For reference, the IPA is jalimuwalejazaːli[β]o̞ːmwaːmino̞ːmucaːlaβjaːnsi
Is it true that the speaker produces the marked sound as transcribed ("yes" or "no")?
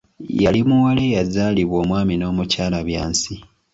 yes